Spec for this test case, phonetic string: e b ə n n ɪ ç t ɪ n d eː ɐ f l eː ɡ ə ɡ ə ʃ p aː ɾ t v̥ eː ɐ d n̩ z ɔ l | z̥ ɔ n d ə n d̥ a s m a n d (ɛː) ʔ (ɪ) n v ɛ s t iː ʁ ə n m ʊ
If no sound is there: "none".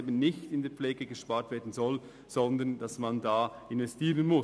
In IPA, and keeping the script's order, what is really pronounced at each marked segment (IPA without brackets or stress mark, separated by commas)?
aː, ɪ